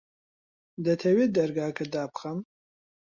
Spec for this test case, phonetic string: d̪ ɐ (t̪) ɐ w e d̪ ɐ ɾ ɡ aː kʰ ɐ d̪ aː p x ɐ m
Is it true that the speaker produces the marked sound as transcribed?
no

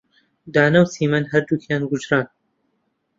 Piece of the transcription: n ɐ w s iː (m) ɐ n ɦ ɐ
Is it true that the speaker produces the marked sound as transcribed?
yes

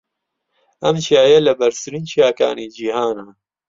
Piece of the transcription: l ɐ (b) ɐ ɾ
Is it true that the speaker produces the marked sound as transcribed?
yes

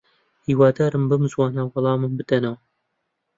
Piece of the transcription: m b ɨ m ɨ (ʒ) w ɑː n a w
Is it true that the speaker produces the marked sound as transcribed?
no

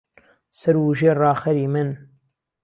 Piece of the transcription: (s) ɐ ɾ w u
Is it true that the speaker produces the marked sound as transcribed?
yes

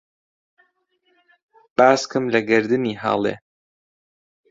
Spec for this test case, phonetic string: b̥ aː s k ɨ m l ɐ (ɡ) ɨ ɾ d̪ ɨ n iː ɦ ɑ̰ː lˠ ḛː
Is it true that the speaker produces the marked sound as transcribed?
yes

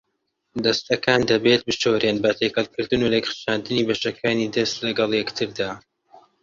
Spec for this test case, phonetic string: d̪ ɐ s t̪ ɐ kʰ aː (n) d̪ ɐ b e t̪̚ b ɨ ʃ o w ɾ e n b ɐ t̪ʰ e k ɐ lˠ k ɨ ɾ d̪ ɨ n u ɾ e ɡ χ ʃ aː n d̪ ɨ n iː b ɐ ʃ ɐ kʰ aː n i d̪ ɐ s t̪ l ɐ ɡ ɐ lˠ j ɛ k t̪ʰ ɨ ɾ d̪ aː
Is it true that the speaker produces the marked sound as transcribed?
yes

